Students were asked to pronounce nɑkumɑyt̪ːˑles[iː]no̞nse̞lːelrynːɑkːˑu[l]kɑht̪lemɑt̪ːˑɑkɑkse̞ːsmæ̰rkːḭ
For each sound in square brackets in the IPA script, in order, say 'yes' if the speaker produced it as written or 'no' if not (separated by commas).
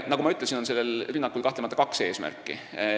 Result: no, yes